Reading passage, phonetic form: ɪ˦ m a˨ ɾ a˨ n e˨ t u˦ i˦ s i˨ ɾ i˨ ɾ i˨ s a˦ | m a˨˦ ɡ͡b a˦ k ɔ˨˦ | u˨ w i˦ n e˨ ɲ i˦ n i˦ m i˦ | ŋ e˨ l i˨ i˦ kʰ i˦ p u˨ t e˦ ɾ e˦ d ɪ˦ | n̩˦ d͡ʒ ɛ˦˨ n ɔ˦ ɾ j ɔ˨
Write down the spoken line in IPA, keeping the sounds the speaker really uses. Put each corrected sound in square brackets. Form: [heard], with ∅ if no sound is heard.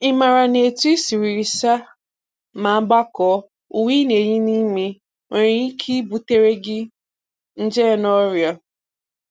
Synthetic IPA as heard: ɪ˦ m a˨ ɾ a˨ n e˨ t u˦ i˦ s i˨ ɾ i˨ ɾ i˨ s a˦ | m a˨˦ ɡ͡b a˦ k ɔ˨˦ | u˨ w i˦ n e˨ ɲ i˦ n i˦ m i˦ | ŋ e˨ [ɾ] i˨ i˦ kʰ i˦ [b] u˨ t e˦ ɾ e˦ [ɡ] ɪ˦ | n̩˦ d͡ʒ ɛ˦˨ n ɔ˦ ɾ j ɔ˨